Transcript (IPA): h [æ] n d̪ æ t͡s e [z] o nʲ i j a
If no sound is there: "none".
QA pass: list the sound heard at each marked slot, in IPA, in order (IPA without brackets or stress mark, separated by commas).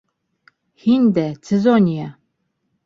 i, z